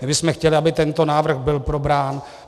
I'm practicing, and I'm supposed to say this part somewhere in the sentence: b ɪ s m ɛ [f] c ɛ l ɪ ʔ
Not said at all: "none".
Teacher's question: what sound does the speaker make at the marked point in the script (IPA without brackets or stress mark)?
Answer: x